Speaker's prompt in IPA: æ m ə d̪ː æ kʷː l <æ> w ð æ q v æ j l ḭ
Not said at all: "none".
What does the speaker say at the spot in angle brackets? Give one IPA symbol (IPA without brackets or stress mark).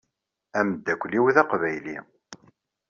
i